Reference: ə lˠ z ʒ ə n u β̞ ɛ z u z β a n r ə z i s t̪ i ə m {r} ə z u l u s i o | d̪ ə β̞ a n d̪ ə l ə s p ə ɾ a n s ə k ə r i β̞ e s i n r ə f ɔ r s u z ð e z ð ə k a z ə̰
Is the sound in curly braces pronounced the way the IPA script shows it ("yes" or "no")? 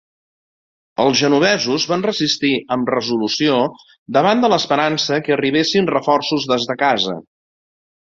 yes